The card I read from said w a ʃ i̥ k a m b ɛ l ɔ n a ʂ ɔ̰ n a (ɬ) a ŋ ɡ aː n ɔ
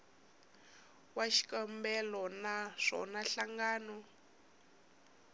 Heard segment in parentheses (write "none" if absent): ɬ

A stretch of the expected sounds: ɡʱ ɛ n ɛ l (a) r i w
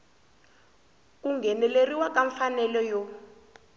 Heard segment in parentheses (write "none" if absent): e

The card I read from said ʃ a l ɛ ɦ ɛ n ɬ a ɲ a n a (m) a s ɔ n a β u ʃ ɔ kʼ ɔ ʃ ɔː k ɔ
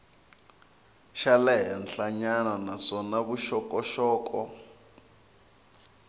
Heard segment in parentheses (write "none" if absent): n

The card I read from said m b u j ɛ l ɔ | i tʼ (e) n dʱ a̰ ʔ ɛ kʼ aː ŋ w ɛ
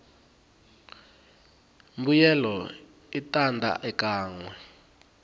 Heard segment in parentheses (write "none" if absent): a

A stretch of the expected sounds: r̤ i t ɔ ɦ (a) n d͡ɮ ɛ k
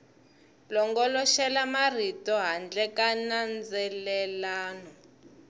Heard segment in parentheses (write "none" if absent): a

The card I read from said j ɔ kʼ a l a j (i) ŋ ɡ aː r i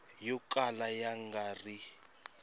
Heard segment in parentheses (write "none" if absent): a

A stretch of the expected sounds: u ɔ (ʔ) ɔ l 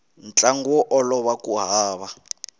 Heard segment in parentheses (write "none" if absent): ʔ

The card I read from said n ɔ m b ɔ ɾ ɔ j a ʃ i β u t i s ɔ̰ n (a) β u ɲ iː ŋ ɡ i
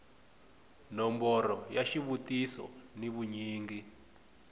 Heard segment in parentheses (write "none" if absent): i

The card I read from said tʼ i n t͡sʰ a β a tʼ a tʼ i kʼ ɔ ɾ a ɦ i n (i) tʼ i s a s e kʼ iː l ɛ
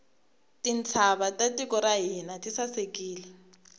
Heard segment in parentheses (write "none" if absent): a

